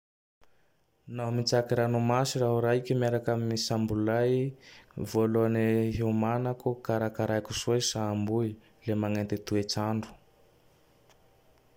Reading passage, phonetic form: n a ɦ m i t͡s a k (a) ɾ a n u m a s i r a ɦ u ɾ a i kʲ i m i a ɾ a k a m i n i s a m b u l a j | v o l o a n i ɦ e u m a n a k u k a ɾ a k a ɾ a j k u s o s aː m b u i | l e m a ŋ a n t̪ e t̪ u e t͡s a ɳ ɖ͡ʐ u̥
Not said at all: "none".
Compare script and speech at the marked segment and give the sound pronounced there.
i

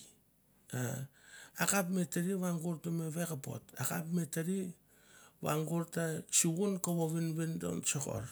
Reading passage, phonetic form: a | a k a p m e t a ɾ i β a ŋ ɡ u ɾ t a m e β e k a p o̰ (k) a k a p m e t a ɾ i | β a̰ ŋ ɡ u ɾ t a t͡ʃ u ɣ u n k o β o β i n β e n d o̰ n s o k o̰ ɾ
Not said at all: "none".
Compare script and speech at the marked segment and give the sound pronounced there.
t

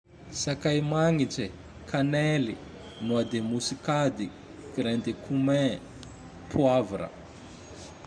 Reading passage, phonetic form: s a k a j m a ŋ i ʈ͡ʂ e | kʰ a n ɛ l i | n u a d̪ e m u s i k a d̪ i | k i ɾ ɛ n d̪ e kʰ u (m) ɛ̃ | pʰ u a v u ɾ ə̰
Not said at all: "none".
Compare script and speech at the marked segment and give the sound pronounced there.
m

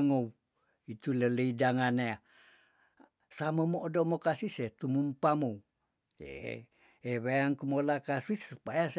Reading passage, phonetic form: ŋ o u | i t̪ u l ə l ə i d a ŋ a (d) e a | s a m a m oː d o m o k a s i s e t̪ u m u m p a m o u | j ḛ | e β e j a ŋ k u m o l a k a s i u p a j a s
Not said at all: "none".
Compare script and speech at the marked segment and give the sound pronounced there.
n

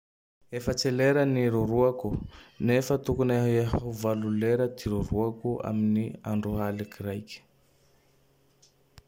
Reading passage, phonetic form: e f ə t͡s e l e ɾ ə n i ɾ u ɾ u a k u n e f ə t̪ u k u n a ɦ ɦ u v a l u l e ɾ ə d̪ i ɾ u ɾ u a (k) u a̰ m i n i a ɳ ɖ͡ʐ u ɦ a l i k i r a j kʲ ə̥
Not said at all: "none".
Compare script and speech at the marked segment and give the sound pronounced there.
k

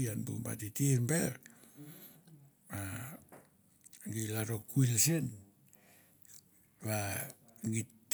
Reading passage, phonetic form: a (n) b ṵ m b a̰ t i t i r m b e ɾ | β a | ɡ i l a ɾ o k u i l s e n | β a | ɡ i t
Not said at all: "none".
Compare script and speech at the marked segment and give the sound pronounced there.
n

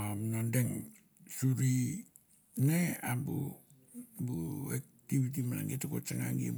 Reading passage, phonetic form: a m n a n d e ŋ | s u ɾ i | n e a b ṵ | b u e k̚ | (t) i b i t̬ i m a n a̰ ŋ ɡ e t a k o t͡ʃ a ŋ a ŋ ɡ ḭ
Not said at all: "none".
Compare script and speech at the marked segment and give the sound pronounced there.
t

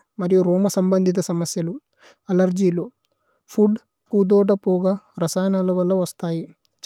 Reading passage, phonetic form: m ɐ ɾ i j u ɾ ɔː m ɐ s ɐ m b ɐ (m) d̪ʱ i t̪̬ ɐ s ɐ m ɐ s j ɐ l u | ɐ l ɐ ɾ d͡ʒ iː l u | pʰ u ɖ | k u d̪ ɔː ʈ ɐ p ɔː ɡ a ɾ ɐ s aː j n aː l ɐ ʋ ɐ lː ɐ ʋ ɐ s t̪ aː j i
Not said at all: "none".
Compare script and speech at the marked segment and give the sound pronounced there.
n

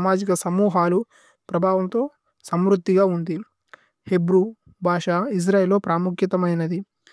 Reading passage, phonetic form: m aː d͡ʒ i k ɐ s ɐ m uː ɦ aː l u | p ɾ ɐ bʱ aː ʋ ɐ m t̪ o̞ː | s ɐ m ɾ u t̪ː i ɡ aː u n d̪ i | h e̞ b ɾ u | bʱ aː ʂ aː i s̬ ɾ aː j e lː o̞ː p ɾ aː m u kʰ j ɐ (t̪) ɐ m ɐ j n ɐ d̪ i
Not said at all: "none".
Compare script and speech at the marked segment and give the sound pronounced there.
t̪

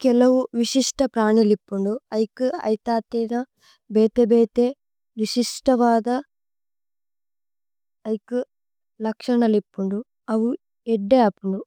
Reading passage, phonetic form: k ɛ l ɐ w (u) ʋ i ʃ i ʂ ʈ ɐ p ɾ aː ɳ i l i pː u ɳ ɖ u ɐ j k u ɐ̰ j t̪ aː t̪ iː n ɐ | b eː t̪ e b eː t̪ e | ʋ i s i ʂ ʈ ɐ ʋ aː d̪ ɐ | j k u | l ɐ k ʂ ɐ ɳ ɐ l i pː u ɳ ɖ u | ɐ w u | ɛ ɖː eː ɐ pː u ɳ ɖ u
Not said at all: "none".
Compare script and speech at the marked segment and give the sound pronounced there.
u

